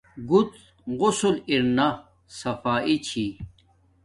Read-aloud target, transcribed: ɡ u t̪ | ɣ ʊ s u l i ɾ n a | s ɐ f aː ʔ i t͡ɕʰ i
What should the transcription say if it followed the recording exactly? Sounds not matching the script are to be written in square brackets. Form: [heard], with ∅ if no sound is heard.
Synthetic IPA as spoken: ɡ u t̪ | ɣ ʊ s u l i ɾ n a | s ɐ f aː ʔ i t͡ɕʰ i